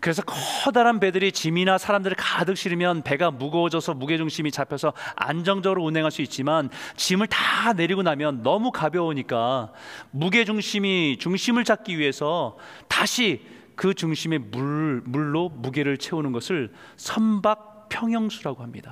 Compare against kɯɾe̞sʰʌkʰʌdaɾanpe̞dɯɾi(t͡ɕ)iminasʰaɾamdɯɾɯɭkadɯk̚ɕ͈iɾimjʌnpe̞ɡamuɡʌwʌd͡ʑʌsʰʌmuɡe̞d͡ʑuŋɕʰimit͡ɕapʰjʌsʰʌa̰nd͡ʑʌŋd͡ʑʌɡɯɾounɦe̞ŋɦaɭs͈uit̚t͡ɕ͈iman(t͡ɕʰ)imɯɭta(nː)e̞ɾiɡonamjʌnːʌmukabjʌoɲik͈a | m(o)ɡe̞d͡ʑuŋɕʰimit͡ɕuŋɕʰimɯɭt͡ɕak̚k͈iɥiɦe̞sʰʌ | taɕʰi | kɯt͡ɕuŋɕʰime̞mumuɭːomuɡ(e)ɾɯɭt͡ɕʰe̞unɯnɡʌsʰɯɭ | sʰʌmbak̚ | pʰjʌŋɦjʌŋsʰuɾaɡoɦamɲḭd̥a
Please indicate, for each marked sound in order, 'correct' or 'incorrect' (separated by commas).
correct, incorrect, incorrect, incorrect, correct